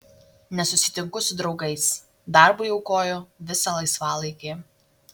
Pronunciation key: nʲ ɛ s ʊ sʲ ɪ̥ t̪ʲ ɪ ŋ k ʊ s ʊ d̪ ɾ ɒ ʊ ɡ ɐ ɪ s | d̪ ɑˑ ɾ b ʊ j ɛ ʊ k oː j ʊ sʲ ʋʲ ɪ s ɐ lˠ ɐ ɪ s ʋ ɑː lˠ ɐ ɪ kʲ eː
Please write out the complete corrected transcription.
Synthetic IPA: nʲ ɛ s ʊ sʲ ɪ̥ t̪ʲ ɪ ŋ k ʊ s ʊ d̪ ɾ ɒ ʊ ɡ ɐ ɪ s | d̪ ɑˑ ɾ b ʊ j ɛ ʊ k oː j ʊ ʋʲ ɪ s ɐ lˠ ɐ ɪ s ʋ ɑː lˠ ɐ ɪ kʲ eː